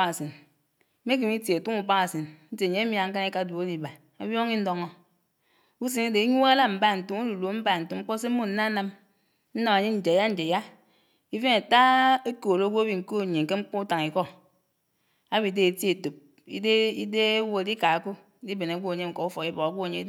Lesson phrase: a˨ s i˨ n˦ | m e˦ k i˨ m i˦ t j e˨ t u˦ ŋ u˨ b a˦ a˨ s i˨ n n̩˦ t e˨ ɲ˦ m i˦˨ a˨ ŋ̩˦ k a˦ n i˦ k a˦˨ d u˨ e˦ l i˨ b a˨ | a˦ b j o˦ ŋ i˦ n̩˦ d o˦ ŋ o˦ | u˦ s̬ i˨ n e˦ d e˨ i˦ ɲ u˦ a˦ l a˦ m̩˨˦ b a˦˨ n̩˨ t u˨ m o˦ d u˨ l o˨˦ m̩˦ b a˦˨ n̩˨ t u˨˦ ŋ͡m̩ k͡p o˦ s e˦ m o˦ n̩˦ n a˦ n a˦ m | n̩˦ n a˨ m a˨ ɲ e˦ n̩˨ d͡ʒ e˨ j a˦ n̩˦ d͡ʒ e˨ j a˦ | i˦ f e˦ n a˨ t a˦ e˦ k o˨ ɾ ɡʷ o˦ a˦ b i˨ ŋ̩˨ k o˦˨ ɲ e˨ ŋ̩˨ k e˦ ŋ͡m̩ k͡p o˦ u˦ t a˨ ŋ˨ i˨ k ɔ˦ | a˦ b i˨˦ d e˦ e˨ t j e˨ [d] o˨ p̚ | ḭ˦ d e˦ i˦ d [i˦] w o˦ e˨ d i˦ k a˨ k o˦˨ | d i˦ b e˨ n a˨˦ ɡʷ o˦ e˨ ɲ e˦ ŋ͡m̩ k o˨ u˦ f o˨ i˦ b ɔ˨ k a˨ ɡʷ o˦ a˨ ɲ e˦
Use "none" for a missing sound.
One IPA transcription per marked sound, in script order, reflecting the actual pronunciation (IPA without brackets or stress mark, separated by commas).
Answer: t, e˦